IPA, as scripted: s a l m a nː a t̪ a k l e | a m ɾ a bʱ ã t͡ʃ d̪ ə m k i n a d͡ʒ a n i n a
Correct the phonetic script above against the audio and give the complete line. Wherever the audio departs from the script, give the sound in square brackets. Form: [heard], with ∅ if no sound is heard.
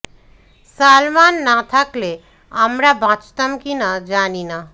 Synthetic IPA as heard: s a l m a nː a [t̪ʰ] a k l e | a m ɾ a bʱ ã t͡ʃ [t̪] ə m k i n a d͡ʒ a n i n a

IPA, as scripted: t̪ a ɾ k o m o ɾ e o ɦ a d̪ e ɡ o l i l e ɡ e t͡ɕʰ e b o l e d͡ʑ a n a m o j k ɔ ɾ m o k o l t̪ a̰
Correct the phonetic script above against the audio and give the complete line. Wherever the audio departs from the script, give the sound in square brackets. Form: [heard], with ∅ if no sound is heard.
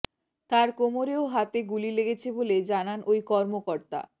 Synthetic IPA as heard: t̪ a ɾ k o m o ɾ e o ɦ a [t̪] e ɡ [u] l i l e ɡ e t͡ɕʰ e b o l e d͡ʑ a n a [n] o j k ɔ ɾ m o k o [ɾ] t̪ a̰

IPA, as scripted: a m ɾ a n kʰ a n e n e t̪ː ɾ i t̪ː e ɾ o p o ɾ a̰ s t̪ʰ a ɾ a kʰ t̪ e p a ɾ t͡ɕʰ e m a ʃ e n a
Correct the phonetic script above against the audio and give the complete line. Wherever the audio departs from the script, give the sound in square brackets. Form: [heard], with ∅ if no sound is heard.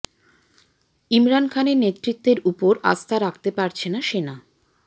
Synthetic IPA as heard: [i] m ɾ a n kʰ a n e n e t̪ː ɾ i t̪ː e ɾ [u] p o ɾ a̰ s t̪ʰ a ɾ a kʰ t̪ e p a ɾ t͡ɕʰ e [n] a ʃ e n a

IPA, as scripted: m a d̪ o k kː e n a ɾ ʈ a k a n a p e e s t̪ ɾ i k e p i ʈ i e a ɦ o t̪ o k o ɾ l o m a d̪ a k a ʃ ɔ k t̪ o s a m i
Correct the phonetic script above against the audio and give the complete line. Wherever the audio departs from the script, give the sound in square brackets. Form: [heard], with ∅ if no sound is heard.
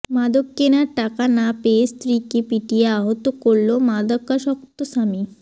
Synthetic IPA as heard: m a d̪ o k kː e n a ɾ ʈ a k a n a p e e s t̪ ɾ i k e p i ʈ i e a ɦ o t̪ o k o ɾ l o m a d̪ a k a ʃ ɔ k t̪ o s a m i

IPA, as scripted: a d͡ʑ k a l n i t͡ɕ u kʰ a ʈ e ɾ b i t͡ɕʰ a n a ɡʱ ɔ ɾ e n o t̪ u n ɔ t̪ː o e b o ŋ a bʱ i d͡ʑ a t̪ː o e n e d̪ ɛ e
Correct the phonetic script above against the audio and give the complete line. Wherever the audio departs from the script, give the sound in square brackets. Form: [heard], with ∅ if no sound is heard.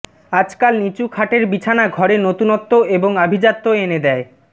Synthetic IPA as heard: a d͡ʑ k a l n i t͡ɕ u kʰ a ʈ e ɾ b i t͡ɕʰ a n a ɡʱ ɔ ɾ e n o t̪ u n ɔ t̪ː o e b o ŋ a bʱ i d͡ʑ a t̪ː o e n e d̪ ɛ e

